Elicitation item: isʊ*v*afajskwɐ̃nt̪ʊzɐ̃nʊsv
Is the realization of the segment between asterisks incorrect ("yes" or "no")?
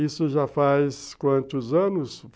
yes